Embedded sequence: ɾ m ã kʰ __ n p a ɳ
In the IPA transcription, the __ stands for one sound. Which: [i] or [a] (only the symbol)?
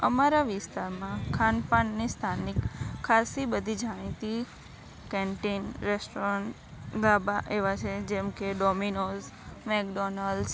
a